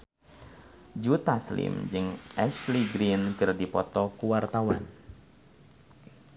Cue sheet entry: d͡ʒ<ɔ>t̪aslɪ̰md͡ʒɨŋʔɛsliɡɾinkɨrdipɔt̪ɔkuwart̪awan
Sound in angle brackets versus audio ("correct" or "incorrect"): incorrect